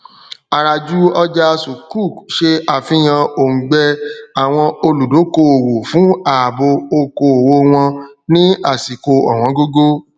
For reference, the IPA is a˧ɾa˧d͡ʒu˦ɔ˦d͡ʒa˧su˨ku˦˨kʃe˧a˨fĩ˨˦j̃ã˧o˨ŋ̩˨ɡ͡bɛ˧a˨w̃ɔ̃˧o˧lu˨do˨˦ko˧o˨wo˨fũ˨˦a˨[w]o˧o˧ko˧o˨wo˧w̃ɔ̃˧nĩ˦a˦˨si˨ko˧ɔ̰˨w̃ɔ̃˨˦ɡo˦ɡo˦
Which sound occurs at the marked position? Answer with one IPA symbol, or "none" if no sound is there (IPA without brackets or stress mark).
b